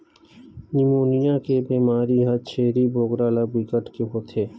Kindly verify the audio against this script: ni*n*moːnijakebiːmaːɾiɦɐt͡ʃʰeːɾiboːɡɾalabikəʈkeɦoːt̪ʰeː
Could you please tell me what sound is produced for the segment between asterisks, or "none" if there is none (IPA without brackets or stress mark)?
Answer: none